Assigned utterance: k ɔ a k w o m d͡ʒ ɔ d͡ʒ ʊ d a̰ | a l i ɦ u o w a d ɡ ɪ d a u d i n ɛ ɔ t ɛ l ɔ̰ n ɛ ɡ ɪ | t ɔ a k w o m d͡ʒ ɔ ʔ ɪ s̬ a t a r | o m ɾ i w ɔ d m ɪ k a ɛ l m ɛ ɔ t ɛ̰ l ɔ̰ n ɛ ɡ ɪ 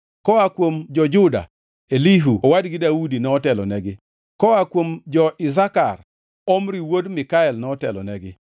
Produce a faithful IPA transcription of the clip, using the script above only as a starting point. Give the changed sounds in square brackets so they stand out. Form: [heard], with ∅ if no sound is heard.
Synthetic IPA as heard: k ɔ a k w o m d͡ʒ ɔ d͡ʒ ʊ d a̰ | [e] l i ɦ u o w a d ɡ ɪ d a u d i n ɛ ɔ t ɛ l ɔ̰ n ɛ ɡ ɪ | [k] ɔ a k w o m d͡ʒ ɔ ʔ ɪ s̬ a [k] a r | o m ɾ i w [o] d m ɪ k a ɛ l [n] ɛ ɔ t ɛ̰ l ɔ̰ n ɛ ɡ ɪ

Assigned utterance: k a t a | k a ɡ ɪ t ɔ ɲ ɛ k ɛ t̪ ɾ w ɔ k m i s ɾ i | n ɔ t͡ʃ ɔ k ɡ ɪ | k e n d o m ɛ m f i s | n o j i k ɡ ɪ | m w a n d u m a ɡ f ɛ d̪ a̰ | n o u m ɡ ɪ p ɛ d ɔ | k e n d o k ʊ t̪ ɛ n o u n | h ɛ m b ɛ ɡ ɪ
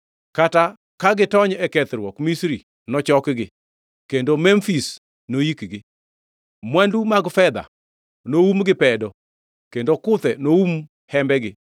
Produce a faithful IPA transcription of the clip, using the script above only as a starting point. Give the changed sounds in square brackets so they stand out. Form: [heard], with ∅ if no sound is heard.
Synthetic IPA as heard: k a t a | k a ɡ ɪ t ɔ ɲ ɛ k ɛ t̪ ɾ w ɔ k m i s ɾ i | n ɔ t͡ʃ ɔ k ɡ ɪ | k e n d o m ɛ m f i s | n o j i k ɡ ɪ | m w a n d u m a ɡ f ɛ d̪ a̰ | n o u m ɡ ɪ p ɛ d ɔ | k e n d o k ʊ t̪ ɛ n o u [m] | h ɛ m b ɛ ɡ ɪ

